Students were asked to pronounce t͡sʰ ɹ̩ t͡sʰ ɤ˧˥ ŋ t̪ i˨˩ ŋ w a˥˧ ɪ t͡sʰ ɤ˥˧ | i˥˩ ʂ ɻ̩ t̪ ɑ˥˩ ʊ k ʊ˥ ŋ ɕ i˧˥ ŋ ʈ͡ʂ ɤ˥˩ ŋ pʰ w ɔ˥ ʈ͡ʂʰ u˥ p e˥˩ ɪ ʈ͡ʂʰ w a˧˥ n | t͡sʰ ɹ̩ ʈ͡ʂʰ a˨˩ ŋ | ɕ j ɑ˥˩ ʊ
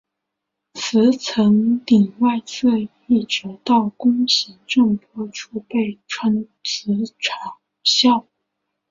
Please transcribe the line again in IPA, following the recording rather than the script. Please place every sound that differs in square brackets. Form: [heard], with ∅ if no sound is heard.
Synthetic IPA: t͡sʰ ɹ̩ t͡sʰ ɤ˧˥ ŋ t̪ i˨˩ ŋ w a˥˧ ɪ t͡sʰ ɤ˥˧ | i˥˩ [ʈ͡ʂ] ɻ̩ t̪ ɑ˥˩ ʊ k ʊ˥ ŋ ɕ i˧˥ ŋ ʈ͡ʂ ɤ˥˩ ŋ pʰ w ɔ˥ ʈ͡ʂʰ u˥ p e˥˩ ɪ ʈ͡ʂʰ w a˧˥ n | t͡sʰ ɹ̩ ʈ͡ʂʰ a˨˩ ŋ | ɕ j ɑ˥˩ ʊ